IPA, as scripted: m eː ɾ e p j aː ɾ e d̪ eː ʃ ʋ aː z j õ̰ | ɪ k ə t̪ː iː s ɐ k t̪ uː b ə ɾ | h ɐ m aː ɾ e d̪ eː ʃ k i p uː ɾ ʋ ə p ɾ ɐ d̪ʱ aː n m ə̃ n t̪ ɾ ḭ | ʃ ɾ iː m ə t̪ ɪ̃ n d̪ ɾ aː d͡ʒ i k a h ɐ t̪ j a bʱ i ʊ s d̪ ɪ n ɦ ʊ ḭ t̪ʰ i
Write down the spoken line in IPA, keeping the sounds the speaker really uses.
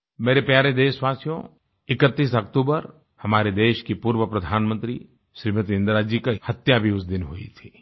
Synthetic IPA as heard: m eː ɾ e p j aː ɾ e d̪ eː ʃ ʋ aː s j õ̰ | ɪ k ə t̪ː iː s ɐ k t̪ uː b ə ɾ | h ɐ m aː ɾ e d̪ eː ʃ k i p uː ɾ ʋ ə p ɾ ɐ d̪ʱ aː n m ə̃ n t̪ ɾ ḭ | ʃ ɾ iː m ə t̪ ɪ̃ n d̪ ɾ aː d͡ʒ i k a h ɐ t̪ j a bʱ i ʊ s d̪ ɪ n ɦ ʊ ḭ t̪ʰ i